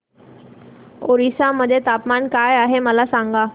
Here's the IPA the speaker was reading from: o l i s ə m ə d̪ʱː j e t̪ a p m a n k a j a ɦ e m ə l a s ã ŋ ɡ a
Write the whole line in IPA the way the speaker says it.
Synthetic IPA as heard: o ɾ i s a m ə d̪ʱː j e t̪ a p m a n k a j a ɦ e m ə l a s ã ŋ ɡ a